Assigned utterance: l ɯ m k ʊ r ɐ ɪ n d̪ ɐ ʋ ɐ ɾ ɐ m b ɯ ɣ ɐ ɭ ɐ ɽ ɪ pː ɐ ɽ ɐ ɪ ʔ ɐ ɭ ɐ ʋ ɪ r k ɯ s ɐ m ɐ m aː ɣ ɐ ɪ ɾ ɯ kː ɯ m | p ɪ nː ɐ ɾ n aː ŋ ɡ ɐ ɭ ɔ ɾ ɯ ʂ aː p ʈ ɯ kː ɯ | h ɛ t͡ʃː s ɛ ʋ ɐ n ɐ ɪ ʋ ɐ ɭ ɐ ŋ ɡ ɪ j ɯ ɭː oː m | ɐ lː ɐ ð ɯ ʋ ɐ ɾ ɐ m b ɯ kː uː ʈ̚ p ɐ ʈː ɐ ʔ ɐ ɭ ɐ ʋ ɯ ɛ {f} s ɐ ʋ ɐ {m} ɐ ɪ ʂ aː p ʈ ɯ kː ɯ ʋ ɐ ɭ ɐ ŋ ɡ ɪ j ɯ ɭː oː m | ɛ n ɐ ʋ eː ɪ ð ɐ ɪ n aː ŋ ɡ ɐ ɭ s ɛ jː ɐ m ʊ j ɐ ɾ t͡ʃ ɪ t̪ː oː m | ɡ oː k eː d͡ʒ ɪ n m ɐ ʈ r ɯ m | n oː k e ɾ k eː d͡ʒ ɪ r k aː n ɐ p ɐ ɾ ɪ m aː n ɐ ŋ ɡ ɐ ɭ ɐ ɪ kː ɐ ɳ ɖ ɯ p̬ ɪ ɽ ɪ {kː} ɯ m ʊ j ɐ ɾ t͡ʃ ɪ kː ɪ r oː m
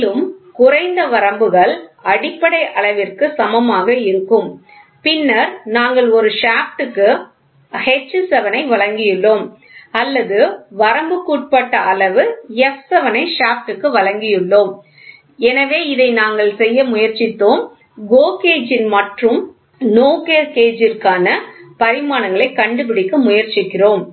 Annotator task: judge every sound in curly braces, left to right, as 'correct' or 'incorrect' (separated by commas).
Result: correct, incorrect, correct